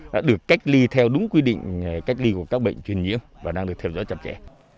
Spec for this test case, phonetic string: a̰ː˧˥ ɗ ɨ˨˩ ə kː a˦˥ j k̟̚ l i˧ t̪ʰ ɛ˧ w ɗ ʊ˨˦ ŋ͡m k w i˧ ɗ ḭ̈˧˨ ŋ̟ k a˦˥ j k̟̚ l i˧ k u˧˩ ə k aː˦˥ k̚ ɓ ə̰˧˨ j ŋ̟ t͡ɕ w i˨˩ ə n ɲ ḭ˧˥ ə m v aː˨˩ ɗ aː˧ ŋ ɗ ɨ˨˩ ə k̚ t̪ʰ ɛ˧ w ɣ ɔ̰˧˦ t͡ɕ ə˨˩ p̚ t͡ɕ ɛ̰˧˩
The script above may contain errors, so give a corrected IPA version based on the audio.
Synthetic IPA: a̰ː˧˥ ɗ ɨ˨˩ ə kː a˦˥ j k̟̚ l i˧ t̪ʰ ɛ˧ w ɗ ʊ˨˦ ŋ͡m k w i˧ ɗ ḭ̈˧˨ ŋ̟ k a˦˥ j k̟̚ l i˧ k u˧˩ ə k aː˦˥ k̚ ɓ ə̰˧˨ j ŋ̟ t͡ɕ w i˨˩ ə n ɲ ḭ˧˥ ə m v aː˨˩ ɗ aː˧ ŋ ɗ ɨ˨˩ ə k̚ t̪ʰ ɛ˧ w z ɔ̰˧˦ t͡ɕ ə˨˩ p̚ t͡ɕ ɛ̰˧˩